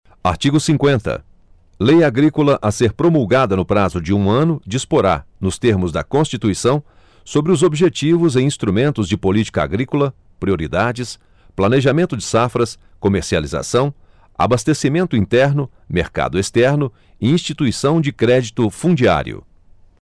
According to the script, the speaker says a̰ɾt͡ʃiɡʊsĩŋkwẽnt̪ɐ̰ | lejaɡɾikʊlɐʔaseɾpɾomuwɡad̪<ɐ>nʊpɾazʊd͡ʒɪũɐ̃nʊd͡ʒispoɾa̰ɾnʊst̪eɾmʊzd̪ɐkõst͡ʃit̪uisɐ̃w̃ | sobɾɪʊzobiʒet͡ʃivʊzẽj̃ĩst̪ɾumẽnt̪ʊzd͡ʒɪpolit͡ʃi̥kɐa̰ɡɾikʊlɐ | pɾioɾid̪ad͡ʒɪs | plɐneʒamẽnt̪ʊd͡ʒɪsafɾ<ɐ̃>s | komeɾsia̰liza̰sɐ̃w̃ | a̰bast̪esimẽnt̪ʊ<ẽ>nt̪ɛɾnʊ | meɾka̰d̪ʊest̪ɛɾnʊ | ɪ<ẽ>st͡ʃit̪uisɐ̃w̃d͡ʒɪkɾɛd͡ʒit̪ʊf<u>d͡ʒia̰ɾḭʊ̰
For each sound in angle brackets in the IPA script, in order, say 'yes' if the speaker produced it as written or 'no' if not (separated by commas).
yes, no, no, no, no